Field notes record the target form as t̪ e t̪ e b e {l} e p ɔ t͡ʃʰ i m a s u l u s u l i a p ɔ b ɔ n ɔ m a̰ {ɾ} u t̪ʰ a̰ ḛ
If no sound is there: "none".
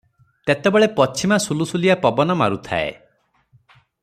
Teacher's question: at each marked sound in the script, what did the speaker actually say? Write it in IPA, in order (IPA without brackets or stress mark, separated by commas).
ɭ, ɾ